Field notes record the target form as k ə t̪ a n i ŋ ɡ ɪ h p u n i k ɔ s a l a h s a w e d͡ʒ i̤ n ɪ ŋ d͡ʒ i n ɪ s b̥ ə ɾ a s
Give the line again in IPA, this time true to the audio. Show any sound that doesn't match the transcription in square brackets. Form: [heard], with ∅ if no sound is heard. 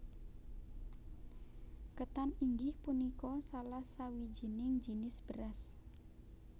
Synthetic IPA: k ə t̪ a n i ŋ ɡ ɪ h p u n i k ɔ s a l a h s a w [i] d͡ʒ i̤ n ɪ ŋ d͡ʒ i n ɪ s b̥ ə ɾ a s